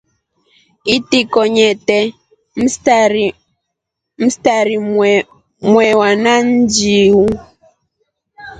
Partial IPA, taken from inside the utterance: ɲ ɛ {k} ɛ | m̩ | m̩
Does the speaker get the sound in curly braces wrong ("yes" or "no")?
yes